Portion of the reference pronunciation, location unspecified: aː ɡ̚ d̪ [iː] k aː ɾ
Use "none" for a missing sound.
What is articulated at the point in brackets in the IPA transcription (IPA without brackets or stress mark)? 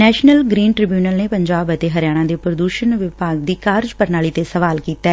iː